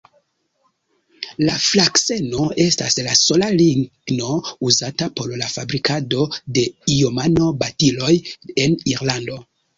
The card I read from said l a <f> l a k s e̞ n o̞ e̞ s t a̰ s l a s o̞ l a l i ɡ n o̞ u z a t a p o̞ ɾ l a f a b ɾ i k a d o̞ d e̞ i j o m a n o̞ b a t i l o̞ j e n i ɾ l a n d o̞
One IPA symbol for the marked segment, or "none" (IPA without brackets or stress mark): f